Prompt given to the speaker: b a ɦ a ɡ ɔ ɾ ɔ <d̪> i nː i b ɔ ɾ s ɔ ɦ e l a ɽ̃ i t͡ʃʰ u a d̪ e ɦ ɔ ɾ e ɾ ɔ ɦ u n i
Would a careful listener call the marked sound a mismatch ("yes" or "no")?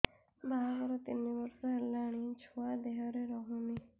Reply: yes